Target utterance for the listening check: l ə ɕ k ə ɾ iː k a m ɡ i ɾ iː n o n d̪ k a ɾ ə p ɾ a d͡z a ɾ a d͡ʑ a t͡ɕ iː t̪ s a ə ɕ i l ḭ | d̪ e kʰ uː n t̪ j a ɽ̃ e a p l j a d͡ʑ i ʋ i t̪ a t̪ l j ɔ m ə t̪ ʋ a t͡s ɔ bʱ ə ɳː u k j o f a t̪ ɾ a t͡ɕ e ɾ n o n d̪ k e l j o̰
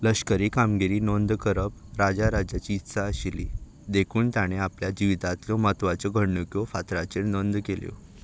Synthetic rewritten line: l ə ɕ k ə ɾ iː k a m ɡ i ɾ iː n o n d̪ k ə ɾ ə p ɾ a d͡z a ɾ a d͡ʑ a t͡ɕ iː t̪ s a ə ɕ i l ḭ | d̪ e kʰ uː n t̪ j a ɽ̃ e a p l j a d͡ʑ i ʋ i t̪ a t̪ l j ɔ m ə t̪ ʋ a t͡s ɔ ɡʱ ə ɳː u k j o f a t̪ ɾ a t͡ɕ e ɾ n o n d̪ k e l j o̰